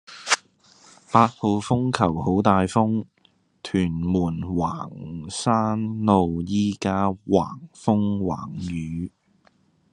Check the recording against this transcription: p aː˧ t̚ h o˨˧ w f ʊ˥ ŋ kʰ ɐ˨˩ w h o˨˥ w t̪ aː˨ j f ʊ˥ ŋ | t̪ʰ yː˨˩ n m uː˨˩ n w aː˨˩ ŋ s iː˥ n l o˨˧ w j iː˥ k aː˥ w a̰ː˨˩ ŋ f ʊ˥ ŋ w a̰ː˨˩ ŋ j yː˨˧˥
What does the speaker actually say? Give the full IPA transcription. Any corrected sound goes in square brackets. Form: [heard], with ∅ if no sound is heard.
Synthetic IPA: p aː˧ t̚ h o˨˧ w f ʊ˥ ŋ kʰ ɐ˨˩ w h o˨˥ w t̪ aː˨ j f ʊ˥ ŋ | t̪ʰ yː˨˩ n m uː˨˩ n w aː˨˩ ŋ s [aː˥] n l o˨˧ w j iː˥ k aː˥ w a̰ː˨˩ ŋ f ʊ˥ ŋ w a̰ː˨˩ ŋ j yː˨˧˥